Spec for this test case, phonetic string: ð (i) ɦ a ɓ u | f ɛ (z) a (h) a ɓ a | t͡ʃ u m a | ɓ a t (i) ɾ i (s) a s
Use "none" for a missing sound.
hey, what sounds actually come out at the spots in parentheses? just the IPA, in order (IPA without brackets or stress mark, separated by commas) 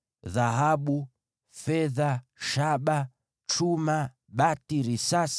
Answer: a, ð, ʃ, i, s